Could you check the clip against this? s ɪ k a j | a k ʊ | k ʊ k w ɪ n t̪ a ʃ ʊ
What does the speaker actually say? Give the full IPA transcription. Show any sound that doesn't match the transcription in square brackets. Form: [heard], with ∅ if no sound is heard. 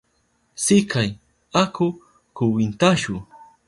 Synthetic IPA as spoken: s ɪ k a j | a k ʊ | k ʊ [∅] w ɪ n t̪ a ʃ ʊ